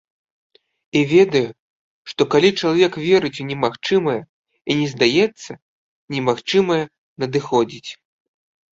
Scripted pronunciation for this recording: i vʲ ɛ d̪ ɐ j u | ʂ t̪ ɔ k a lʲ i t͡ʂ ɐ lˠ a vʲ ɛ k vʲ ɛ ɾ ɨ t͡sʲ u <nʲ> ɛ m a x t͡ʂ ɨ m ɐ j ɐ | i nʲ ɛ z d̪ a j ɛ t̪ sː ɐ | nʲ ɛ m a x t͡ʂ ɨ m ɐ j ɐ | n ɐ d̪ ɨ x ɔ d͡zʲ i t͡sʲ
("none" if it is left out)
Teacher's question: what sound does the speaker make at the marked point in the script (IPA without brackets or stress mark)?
nʲ